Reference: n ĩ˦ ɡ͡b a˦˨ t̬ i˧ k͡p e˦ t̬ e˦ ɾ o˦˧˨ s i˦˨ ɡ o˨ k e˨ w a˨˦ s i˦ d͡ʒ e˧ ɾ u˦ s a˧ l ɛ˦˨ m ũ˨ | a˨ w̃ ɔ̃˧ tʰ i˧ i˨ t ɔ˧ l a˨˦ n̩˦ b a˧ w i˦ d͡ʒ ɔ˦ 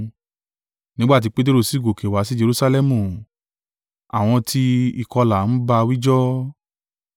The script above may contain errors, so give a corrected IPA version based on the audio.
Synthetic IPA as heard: n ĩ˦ ɡ͡b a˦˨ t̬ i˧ k͡p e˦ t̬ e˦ ɾ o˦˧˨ s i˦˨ ɡ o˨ k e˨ w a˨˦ s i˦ d͡ʒ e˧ ɾ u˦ s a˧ l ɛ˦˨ m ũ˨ | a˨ w̃ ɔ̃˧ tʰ i˧ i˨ k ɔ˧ l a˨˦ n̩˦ b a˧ w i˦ d͡ʒ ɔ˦

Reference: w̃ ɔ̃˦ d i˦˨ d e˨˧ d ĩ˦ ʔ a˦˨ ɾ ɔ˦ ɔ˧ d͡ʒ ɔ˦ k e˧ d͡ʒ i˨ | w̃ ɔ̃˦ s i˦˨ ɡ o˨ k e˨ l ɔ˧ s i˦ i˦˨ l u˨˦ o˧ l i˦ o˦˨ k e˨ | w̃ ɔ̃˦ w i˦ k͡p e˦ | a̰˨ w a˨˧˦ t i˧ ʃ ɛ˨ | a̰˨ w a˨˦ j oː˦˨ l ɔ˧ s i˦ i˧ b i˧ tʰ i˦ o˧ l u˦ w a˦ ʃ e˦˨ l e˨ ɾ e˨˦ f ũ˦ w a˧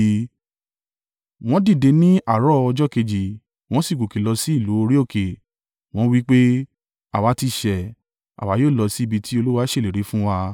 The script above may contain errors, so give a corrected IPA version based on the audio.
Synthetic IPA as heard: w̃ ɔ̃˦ d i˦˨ d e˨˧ n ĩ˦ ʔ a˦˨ ɾ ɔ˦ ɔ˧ d͡ʒ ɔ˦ k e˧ d͡ʒ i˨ | w̃ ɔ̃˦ s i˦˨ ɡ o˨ k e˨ l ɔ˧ s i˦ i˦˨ l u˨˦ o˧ ɾ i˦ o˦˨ k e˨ | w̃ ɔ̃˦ w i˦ k͡p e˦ | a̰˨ w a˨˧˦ t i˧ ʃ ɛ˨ | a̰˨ w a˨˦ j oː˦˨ l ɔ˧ s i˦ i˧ b i˧ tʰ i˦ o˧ l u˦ w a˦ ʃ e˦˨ l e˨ ɾ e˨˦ f ũ˦ w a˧

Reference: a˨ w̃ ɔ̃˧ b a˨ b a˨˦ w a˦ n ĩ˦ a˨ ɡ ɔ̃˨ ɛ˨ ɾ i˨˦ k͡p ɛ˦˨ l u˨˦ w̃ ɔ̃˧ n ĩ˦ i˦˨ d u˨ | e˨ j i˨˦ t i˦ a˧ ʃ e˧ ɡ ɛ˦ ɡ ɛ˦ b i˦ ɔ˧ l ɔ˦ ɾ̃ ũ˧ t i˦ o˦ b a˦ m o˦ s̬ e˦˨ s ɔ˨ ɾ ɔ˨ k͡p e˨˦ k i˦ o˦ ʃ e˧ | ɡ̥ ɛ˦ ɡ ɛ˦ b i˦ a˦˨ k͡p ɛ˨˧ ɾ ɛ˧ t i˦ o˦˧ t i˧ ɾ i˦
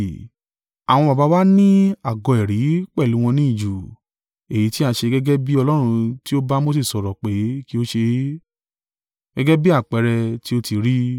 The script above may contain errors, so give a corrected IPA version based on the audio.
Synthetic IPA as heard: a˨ w̃ ɔ̃˧ b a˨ b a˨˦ w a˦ n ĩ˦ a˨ ɡ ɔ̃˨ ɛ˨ ɾ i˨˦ k͡p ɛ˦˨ l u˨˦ w̃ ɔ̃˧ n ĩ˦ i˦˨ d͡ʒ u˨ | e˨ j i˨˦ t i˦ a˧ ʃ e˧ ɡ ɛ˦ ɡ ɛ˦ b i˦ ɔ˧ l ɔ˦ ɾ̃ ũ˧ t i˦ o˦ b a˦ m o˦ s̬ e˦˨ s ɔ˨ ɾ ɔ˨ k͡p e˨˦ k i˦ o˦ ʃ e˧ | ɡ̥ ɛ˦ ɡ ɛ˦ b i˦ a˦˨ k͡p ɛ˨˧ ɾ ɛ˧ t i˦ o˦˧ t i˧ ɾ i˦

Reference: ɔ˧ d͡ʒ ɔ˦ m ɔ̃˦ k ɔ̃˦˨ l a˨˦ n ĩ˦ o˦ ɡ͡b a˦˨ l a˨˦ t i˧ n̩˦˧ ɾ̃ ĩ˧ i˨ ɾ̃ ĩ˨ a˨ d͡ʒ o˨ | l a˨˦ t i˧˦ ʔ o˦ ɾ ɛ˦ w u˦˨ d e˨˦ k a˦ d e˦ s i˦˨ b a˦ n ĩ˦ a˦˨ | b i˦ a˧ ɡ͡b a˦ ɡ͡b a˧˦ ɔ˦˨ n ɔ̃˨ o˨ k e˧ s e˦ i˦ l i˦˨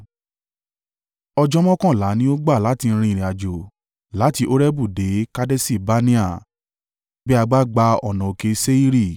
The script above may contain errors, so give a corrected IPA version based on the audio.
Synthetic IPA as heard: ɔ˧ d͡ʒ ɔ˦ m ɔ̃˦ k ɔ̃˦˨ l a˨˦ n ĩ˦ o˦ ɡ͡b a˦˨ l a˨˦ t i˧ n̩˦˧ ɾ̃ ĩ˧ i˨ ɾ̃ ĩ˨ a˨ d͡ʒ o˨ | l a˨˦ t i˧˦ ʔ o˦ ɾ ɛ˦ b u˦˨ d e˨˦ k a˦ d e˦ s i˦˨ b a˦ n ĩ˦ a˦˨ | b ɛ˦ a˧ ɡ͡b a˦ ɡ͡b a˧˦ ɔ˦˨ n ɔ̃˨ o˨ k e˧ s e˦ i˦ ɾ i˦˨

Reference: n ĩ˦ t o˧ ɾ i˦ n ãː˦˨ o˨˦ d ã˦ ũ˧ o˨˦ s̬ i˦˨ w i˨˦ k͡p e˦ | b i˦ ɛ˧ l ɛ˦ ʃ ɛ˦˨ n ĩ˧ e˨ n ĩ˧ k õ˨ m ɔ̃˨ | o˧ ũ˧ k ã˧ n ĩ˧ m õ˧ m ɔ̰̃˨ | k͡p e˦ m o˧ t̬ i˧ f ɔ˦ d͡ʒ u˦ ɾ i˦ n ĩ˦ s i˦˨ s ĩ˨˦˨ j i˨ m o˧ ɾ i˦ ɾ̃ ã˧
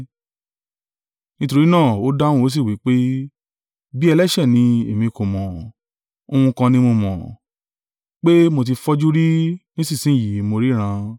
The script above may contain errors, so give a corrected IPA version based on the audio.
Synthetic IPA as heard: n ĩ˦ t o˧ ɾ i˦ n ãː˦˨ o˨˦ d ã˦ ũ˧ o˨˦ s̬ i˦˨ w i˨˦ k͡p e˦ | b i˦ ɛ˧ l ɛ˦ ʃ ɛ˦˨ n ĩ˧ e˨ m ĩ˧ k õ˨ m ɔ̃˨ | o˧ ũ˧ k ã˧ n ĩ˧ m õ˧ m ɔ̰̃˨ | k͡p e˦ m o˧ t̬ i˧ f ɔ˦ d͡ʒ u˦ ɾ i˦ n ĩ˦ s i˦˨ s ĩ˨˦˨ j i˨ m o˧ ɾ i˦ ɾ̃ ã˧

